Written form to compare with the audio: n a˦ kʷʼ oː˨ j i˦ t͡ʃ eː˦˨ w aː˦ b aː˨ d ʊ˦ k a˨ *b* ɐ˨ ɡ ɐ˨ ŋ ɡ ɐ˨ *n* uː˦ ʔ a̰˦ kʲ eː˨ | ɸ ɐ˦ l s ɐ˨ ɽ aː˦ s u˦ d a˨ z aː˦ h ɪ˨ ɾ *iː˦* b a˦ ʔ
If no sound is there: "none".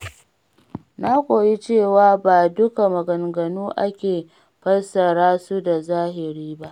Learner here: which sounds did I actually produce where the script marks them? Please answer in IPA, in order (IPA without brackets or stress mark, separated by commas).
m, n, iː˦